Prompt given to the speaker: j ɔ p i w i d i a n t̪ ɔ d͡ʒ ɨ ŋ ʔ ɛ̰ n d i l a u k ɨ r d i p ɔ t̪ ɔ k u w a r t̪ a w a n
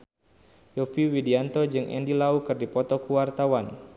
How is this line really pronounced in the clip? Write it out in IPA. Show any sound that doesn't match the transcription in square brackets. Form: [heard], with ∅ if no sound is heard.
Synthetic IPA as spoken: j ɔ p i w i d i a n t̪ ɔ d͡ʒ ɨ ŋ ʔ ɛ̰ n d i l a u k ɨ r d i p ɔ t̪ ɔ k u w a r t̪ a w a n

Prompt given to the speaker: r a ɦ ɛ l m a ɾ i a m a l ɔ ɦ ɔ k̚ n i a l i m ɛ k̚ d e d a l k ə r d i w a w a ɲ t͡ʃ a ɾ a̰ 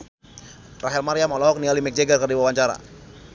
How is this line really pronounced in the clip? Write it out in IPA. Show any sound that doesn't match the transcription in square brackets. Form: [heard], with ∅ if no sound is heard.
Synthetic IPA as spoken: r a ɦ ɛ l m a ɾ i a m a l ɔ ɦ ɔ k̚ n i a l i m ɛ k̚ [d͡ʒ] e [ɡ] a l k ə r d i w a w a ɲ t͡ʃ a ɾ a̰

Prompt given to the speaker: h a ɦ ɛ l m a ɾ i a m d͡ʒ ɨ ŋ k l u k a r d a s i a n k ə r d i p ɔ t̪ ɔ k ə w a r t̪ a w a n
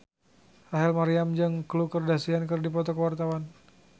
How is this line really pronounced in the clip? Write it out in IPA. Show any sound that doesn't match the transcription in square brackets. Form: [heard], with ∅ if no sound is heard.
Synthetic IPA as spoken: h a ɦ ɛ l m a ɾ i a m d͡ʒ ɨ ŋ k l u k [ə] r d a s i a n k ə r d i p ɔ t̪ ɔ k ə w a r t̪ a w a n

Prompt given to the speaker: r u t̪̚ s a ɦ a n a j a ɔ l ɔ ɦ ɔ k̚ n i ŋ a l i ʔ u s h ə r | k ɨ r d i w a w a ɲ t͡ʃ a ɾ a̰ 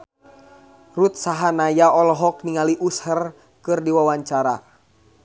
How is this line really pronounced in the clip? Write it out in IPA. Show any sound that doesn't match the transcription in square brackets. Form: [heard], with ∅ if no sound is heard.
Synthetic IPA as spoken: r u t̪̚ s a ɦ a n a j a ɔ l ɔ ɦ ɔ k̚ n i ŋ a l i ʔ u s h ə r | k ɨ r d i w a w a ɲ t͡ʃ a ɾ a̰

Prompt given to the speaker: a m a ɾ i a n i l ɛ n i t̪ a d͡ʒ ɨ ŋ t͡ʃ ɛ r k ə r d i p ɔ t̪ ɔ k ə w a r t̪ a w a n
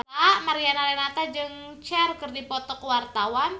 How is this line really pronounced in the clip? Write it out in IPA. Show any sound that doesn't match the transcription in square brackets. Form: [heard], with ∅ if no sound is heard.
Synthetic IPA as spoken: a m a ɾ i a n [a] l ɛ n [a] t̪ a d͡ʒ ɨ ŋ t͡ʃ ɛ r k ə r d i p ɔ t̪ ɔ k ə w a r t̪ a w a n

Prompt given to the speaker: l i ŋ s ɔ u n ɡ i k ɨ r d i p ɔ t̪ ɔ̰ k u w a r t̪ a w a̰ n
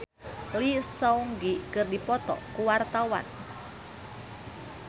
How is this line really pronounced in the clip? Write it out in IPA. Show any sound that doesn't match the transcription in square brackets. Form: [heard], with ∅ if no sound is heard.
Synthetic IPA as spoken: l i [∅] s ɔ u [ŋ] ɡ i k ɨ r d i p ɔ t̪ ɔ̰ k u w a r t̪ a w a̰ n

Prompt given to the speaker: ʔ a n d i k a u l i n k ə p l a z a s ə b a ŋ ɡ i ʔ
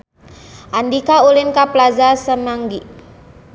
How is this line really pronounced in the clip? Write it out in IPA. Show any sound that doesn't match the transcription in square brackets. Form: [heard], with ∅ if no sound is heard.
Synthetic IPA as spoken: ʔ a n d i k a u l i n k [a] p l a z a s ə [m] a ŋ ɡ i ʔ

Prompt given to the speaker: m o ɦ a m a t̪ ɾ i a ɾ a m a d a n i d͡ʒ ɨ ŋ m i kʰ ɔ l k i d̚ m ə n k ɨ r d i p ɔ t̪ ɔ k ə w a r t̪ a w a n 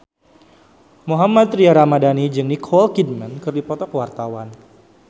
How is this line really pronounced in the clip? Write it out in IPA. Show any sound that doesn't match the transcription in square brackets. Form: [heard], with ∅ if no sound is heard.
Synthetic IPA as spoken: m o ɦ a m a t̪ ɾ i a ɾ a m a d a n i d͡ʒ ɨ ŋ [n] i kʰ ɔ l k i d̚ m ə n k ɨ r d i p ɔ t̪ ɔ k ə w a r t̪ a w a n

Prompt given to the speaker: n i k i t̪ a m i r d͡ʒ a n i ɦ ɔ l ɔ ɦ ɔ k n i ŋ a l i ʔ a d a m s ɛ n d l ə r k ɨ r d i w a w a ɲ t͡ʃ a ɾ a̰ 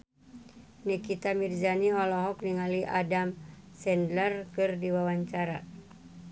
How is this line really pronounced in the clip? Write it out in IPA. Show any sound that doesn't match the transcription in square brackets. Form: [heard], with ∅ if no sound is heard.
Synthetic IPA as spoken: n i k i t̪ a m i r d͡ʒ a n i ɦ ɔ l ɔ ɦ ɔ k n i ŋ a l i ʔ a d a m s ɛ n d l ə r k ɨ r d i w a w a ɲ t͡ʃ a ɾ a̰

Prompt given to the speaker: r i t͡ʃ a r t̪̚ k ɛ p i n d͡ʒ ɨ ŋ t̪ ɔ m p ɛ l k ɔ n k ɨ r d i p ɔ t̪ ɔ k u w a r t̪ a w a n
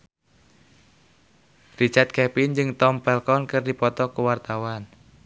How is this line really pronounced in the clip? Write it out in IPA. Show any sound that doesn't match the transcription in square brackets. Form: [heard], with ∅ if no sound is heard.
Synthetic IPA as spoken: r i t͡ʃ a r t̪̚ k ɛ p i n d͡ʒ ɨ ŋ t̪ ɔ m p ɛ l k ɔ n k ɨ r d i p ɔ t̪ ɔ k u w a r t̪ a w a n

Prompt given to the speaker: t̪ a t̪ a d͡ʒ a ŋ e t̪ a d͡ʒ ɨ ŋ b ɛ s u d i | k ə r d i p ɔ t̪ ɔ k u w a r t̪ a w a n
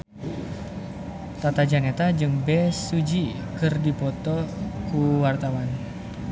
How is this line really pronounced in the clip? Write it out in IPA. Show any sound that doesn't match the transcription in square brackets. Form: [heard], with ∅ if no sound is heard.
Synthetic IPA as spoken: t̪ a t̪ a d͡ʒ a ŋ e t̪ a d͡ʒ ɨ ŋ b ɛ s u [d͡ʒ] i | k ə r d i p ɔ t̪ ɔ k u w a r t̪ a w a n

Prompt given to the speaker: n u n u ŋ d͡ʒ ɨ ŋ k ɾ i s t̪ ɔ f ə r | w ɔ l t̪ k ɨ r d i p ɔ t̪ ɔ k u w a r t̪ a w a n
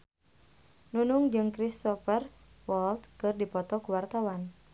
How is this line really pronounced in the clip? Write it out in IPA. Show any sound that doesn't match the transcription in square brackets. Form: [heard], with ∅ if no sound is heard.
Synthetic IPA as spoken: n u n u ŋ d͡ʒ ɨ ŋ k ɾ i s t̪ ɔ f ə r | w ɔ l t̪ k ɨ r d i p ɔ t̪ ɔ k u w a r t̪ a w a n

